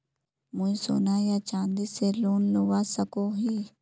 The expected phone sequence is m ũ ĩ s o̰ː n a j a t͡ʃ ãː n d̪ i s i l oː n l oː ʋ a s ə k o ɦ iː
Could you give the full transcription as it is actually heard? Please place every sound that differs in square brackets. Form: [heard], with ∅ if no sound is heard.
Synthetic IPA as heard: m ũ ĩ s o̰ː n a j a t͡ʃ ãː n d̪ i s [e] l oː n l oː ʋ a s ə k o ɦ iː